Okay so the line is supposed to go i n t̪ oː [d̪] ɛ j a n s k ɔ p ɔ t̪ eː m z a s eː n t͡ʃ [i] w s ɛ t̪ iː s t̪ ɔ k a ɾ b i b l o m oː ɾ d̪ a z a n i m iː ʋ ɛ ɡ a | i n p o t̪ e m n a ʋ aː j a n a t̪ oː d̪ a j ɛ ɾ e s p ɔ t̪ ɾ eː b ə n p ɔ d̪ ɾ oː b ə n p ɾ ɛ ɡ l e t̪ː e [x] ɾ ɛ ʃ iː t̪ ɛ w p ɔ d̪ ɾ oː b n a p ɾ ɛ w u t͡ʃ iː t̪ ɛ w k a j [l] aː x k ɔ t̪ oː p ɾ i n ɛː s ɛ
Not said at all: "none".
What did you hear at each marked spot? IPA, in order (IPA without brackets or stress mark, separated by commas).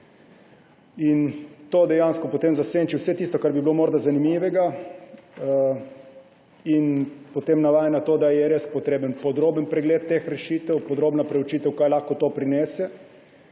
d̪, i, x, l